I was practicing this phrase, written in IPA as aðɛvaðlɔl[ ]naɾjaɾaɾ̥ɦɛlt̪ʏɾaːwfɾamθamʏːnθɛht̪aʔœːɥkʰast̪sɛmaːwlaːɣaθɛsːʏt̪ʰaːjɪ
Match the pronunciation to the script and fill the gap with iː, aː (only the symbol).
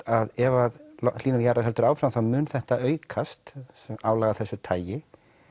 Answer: iː